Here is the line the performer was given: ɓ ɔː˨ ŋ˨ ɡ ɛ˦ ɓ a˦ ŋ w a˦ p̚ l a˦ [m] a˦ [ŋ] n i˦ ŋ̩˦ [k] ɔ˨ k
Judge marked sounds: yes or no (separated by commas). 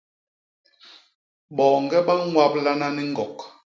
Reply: no, no, no